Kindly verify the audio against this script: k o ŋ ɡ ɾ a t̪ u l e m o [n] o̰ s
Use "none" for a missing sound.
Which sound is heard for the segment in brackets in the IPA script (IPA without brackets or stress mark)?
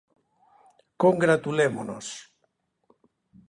n